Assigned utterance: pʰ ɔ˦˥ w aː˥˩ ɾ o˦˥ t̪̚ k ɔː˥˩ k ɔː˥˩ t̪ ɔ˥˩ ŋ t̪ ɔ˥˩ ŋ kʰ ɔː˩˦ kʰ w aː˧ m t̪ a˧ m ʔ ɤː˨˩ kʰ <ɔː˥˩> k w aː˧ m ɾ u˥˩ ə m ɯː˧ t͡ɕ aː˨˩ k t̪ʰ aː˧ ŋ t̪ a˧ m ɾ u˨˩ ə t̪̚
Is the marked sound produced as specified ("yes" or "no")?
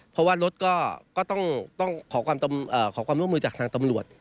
no